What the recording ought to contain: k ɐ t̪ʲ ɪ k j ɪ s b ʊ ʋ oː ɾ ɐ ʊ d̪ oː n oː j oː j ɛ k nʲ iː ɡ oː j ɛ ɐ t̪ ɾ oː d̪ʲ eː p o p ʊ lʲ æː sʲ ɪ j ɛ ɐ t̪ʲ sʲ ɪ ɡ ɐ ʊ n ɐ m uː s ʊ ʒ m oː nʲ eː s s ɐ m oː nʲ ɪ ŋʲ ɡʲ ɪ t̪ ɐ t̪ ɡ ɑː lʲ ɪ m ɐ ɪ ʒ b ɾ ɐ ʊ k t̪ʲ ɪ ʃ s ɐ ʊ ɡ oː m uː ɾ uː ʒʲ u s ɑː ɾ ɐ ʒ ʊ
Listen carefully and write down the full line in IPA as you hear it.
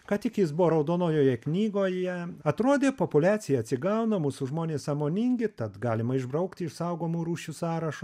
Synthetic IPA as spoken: k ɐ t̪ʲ ɪ k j ɪ s b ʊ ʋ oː ɾ ɐ ʊ d̪ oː n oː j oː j ɛ k nʲ iː ɡ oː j ɛ ɐ t̪ ɾ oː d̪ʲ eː p o p ʊ lʲ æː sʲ ɪ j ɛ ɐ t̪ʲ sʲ ɪ ɡ ɐ ʊ n ɐ m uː s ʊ ʒ m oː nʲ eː s s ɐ m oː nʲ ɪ ŋʲ ɡʲ ɪ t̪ ɐ t̪ ɡ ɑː lʲ ɪ m ɐ ɪ ʒ b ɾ ɐ ʊ k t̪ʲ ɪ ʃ s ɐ ʊ ɡ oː m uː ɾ uː ʃʲ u s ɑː ɾ ɐ ʃ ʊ

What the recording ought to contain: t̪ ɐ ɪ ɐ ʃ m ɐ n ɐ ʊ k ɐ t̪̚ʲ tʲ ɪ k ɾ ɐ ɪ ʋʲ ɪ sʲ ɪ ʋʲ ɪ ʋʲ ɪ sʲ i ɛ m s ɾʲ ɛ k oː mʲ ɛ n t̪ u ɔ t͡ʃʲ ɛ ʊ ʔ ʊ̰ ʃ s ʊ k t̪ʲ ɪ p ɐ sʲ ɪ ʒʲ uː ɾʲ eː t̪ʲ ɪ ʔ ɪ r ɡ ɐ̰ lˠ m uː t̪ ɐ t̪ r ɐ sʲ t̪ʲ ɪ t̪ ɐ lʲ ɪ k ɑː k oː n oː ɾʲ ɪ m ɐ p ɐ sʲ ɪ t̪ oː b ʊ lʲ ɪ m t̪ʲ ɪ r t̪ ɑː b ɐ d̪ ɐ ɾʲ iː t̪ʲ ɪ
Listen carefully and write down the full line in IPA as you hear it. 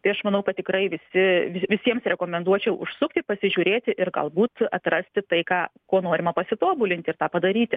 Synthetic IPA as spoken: t̪ ɐ ɪ ɐ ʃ m ɐ n ɐ ʊ k ɐ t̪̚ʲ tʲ ɪ k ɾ ɐ ɪ ʋʲ ɪ sʲ ɪ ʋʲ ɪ ʋʲ ɪ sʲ i ɛ m s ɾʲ ɛ k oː mʲ ɛ n d̪ u ɔ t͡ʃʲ ɛ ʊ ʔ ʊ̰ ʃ s ʊ k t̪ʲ ɪ p ɐ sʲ ɪ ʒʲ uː ɾʲ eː t̪ʲ ɪ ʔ ɪ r ɡ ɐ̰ lˠ b uː t̪ ɐ t̪ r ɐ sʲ t̪ʲ ɪ t̪ ɐ ɪ k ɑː k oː n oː ɾʲ ɪ m ɐ p ɐ sʲ ɪ t̪ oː b ʊ lʲ ɪ n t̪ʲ ɪ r t̪ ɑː p ɐ d̪ ɐ ɾʲ iː t̪ʲ ɪ

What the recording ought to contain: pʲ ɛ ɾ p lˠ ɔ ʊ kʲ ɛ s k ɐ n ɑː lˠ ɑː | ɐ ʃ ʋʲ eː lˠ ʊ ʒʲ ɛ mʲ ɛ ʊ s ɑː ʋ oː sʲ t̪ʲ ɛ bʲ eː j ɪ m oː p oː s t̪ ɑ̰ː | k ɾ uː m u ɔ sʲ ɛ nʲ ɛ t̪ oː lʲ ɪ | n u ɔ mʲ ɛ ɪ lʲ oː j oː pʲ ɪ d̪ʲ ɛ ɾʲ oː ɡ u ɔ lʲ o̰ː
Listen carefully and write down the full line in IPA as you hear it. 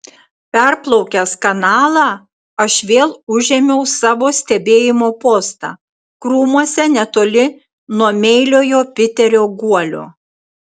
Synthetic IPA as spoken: pʲ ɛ ɾ p lˠ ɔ ʊ kʲ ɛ s k ɐ n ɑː lˠ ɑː | ɐ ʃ ʋʲ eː lˠ ʊ ʒʲ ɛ mʲ ɛ ʊ s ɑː ʋ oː sʲ t̪ʲ ɛ bʲ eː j ɪ m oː p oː s t̪ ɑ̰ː | k ɾ uː m u ɔ sʲ ɛ nʲ ɛ t̪ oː lʲ ɪ | n u ɔ mʲ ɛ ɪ lʲ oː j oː pʲ ɪ t̪ʲ ɛ ɾʲ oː ɡ u ɔ lʲ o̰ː

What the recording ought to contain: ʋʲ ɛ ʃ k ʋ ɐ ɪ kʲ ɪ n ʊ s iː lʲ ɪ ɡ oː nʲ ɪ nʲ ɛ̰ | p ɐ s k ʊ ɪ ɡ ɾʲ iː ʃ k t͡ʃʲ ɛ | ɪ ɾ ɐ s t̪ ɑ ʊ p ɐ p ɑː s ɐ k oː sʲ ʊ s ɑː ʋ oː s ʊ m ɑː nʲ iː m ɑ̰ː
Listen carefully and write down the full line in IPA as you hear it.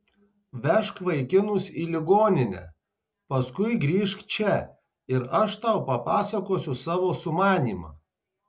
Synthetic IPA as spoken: ʋʲ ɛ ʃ k ʋ ɐ ɪ kʲ ɪ n ʊ s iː lʲ ɪ ɡ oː nʲ ɪ nʲ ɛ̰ | p ɐ s k ʊ ɪ ɡ ɾʲ iː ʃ k t͡ʃʲ ɛ | ɪ ɾ ɐ ʃ t̪ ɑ ʊ p ɐ p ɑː s ɐ k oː sʲ ʊ s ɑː ʋ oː s ʊ m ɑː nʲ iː m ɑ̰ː

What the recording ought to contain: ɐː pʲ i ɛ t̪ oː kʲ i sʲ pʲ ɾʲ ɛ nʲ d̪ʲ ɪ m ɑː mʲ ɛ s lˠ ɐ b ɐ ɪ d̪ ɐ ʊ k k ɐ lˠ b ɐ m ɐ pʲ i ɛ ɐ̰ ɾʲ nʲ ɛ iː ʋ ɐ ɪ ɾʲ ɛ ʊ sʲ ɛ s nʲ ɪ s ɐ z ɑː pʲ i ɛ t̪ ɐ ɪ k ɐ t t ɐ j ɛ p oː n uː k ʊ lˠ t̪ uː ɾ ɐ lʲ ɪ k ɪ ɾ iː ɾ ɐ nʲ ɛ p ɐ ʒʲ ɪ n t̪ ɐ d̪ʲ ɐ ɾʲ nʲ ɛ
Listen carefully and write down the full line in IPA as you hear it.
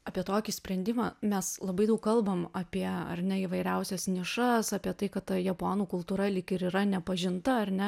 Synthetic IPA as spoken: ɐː pʲ i ɛ t̪ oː kʲ i sʲ pʲ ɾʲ ɛ nʲ d̪ʲ ɪ m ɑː mʲ ɛ s lˠ ɐ b ɐ ɪ d̪ ɐ ʊ k k ɐ lˠ b ɐ m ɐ pʲ i ɛ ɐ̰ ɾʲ nʲ ɛ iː ʋ ɐ ɪ ɾʲ ɛ ʊ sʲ ɛ s nʲ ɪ ʃ ɐ s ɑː pʲ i ɛ t̪ ɐ ɪ k ɐ t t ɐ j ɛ p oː n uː k ʊ lˠ t̪ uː ɾ ɐ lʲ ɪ k ɪ ɾ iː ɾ ɐ nʲ ɛ p ɐ ʒʲ ɪ n t̪ ɐ ɐ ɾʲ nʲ ɛ

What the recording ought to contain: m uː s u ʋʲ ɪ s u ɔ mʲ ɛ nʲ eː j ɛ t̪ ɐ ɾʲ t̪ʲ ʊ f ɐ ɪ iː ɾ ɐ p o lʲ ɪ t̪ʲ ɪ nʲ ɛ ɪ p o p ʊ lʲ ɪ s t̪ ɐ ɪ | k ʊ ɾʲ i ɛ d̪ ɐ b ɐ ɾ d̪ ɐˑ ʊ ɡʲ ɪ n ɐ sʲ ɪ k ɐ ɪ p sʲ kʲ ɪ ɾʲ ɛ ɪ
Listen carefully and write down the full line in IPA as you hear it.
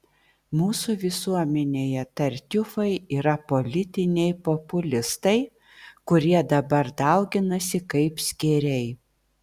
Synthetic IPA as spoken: m uː s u ʋʲ ɪ s u ɔ mʲ ɛ nʲ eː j ɛ t̪ ɐ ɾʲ t̪ʲ ʊ f ɐ ɪ iː ɾ ɐ p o lʲ ɪ t̪ʲ ɪ nʲ ɛ ɪ p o p ʊ lʲ ɪ s t̪ ɐ ɪ | k ʊ ɾʲ i ɛ d̪ ɐ b ɐ ɾ d̪ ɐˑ ʊ ɡʲ ɪ n ɐ sʲ ɪ k ɐ ɪ p sʲ kʲ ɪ ɾʲ ɛ ɪ

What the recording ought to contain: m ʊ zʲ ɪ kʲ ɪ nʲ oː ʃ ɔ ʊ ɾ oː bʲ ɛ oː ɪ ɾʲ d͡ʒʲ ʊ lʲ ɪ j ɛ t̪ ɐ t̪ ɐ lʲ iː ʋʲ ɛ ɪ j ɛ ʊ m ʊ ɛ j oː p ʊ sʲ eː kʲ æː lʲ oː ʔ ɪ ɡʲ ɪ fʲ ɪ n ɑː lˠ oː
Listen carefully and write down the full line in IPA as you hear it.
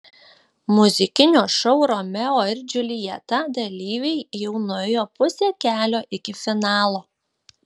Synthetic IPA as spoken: m ʊ zʲ ɪ kʲ ɪ nʲ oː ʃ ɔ ʊ ɾ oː mʲ ɛ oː ɪ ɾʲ d͡ʒʲ ʊ lʲ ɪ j ɛ t̪ ɐ d̪ ɐ lʲ iː ʋʲ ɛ ɪ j ɛ ʊ n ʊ ɛ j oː p ʊ sʲ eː kʲ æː lʲ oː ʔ ɪ kʲ ɪ fʲ ɪ n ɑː lˠ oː

